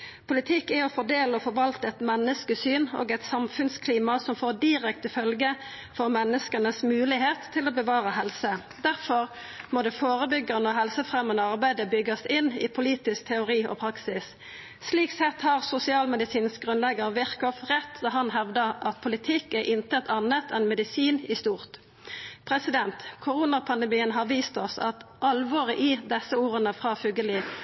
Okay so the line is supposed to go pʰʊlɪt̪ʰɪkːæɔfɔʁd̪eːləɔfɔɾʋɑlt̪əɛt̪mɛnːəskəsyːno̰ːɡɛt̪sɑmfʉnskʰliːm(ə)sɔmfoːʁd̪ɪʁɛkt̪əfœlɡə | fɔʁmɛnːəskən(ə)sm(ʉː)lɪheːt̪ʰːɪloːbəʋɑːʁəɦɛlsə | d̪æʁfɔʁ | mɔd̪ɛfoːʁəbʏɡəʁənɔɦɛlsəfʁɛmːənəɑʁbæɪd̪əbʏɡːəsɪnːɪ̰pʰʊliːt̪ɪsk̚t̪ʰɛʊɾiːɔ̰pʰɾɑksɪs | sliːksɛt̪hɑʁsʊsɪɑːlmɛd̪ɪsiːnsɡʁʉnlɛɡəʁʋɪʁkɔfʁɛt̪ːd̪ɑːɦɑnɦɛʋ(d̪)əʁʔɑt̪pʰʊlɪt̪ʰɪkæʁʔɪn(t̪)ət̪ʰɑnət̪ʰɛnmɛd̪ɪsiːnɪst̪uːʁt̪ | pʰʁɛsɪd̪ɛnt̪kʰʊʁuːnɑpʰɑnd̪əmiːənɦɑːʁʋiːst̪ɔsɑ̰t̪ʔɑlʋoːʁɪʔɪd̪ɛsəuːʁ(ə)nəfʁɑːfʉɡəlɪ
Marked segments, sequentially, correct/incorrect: incorrect, correct, correct, correct, correct, correct

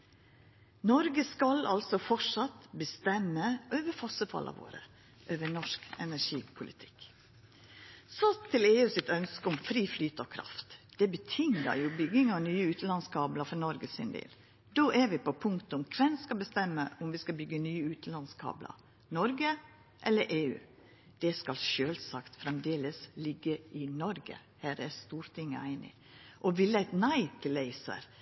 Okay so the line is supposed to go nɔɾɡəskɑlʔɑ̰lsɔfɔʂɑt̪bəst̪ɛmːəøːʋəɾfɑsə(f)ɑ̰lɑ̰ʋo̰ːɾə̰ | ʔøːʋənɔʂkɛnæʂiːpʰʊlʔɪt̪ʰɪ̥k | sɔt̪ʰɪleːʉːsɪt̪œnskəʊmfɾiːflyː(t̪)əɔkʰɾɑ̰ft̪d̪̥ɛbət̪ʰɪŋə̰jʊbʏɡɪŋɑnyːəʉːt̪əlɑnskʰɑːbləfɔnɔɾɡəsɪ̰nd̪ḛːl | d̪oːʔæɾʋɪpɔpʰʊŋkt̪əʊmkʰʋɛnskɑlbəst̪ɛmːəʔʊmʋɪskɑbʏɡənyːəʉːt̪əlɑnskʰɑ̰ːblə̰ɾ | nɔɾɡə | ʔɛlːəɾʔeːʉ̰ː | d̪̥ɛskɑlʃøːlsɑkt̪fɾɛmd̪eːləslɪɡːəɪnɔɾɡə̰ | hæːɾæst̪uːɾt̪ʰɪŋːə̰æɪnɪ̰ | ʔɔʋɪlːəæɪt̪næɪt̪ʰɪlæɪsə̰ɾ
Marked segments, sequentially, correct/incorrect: correct, correct

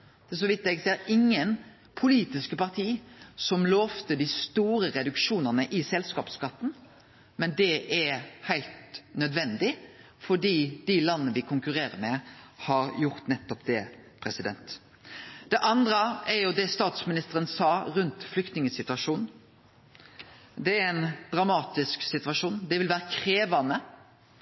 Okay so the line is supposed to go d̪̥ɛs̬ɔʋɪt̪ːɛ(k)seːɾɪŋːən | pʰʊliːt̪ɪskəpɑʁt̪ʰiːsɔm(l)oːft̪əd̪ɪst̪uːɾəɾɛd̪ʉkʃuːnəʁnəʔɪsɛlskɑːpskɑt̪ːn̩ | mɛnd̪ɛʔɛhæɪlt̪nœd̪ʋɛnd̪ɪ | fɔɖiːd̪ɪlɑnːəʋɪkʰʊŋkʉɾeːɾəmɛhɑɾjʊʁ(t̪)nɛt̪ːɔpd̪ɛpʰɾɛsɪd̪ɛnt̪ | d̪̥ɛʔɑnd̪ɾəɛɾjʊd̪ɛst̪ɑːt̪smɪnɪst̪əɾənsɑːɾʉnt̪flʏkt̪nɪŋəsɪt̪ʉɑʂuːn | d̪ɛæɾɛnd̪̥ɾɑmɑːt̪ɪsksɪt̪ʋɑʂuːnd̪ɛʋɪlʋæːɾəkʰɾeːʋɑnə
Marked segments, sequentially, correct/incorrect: incorrect, correct, correct

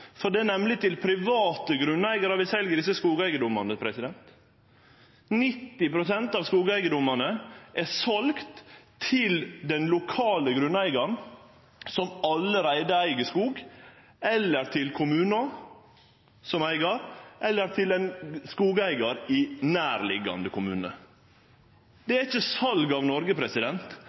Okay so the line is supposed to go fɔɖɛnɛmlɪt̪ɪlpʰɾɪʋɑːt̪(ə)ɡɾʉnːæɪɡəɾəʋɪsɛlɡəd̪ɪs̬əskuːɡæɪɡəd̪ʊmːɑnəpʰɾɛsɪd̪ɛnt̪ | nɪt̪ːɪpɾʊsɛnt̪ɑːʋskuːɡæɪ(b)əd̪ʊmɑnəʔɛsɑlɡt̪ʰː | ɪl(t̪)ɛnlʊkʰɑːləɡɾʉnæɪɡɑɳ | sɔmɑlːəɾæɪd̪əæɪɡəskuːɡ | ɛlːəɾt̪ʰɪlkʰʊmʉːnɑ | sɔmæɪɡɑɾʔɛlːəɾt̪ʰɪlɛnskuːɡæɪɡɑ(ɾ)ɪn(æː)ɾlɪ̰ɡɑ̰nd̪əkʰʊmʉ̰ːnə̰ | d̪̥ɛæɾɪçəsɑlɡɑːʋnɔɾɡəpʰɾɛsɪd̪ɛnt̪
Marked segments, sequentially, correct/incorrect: correct, incorrect, incorrect, correct, correct

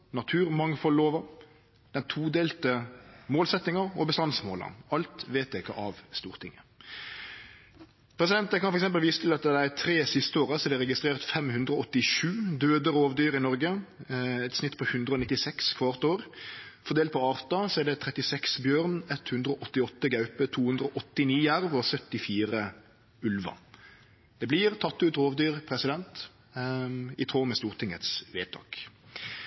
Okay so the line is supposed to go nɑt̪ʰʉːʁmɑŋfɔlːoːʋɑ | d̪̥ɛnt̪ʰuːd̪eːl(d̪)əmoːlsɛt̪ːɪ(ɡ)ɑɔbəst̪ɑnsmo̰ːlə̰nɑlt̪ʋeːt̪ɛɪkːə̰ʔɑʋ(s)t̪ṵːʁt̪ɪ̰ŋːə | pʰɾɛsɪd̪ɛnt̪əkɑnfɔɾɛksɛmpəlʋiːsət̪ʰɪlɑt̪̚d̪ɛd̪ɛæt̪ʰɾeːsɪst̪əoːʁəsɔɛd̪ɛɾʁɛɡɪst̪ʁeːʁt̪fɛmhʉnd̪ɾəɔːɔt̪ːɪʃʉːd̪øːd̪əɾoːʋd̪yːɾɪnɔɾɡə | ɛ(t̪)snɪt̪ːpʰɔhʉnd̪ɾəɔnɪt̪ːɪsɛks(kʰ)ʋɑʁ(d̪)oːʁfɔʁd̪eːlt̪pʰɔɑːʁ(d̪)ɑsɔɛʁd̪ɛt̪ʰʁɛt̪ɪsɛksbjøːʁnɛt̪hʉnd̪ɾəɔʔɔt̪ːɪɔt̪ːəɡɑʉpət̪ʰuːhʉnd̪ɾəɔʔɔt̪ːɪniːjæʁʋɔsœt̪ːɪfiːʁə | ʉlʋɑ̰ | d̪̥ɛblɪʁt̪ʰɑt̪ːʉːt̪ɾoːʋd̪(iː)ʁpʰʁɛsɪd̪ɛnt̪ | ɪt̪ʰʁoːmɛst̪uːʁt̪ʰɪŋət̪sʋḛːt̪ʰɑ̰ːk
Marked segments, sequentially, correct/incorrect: incorrect, incorrect, correct, correct, correct, incorrect, incorrect, incorrect

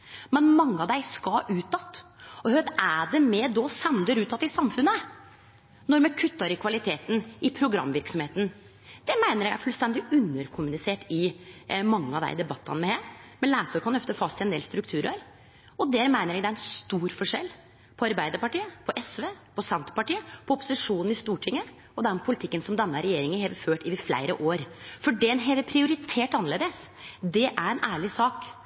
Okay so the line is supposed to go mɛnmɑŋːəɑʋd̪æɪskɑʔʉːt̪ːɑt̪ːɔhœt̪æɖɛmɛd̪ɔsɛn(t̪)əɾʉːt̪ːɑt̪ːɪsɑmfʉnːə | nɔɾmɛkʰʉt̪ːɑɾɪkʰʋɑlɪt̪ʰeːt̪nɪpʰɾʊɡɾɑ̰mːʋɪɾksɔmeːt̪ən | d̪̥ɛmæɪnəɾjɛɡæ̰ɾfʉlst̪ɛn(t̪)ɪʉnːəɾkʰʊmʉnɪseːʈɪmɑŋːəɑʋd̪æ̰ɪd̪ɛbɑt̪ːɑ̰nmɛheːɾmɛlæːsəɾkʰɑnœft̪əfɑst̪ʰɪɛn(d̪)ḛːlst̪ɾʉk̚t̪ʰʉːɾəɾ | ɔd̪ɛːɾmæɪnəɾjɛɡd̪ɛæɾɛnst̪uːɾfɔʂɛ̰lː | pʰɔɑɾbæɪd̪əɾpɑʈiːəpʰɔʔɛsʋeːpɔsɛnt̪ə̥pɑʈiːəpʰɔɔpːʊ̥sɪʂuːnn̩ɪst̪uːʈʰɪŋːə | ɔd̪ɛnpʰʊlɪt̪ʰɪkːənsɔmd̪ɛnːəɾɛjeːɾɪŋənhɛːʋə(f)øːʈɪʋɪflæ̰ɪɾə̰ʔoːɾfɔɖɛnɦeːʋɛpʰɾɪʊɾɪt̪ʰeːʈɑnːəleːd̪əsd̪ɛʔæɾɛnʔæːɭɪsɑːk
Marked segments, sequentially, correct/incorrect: incorrect, incorrect, correct, correct

